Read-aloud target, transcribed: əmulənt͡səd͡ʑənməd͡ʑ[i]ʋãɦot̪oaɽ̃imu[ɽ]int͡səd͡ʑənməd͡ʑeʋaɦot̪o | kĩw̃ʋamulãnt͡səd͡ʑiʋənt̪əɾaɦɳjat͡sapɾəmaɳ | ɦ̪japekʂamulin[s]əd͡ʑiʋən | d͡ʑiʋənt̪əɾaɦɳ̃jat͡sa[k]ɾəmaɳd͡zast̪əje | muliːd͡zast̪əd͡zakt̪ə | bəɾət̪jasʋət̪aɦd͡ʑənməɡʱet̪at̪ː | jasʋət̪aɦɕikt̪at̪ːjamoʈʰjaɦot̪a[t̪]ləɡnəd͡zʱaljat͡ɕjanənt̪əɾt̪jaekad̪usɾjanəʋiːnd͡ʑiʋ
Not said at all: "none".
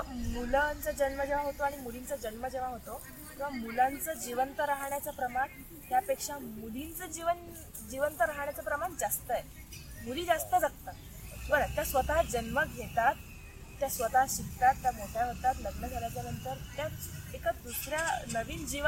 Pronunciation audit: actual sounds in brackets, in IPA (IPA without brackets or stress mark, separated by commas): e, l, t͡s, p, t̪